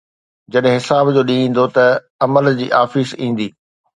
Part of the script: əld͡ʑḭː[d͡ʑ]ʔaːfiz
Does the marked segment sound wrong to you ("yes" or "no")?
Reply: yes